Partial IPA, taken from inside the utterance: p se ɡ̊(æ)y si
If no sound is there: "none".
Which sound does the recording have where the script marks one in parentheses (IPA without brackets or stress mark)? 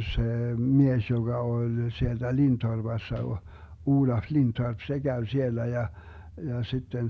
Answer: æ